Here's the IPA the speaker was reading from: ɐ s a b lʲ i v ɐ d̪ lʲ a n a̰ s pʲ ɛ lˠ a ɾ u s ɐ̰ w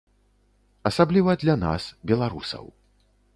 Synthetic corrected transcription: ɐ s a b lʲ i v ɐ d̪ lʲ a n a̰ s bʲ ɛ lˠ a ɾ u s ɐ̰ w